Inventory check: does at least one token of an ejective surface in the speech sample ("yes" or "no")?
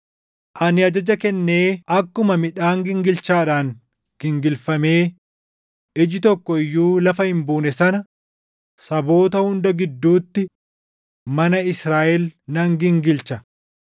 no